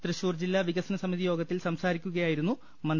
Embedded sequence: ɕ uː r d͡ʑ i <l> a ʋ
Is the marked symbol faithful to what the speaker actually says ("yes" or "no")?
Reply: no